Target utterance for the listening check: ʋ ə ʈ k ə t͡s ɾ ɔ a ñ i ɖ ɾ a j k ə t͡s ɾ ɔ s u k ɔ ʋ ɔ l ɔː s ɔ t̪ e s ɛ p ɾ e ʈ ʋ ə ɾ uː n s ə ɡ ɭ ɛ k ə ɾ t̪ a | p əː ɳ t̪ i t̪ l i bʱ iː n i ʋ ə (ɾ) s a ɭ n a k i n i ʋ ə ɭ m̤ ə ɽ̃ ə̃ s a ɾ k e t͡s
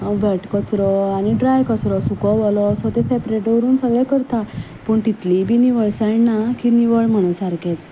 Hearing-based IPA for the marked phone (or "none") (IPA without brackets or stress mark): ɭ